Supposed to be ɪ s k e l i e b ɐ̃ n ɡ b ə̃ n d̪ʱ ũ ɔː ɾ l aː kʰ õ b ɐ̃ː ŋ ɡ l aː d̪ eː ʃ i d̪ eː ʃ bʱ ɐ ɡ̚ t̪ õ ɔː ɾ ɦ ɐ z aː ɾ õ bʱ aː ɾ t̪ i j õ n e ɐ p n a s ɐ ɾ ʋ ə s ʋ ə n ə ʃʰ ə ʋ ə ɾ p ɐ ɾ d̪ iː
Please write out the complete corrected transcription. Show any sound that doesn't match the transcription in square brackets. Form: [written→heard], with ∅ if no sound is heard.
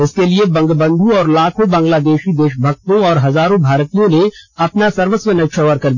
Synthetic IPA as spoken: ɪ s k e l i e b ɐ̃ [n→ŋ] ɡ b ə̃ n d̪ʱ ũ ɔː ɾ l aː kʰ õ b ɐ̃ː ŋ ɡ l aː d̪ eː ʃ i d̪ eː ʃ bʱ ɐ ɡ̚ t̪ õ ɔː ɾ ɦ ɐ z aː ɾ õ bʱ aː ɾ t̪ i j õ n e ɐ p n a s ɐ ɾ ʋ ə s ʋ ə n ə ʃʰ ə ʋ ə ɾ [p→k] ɐ ɾ d̪ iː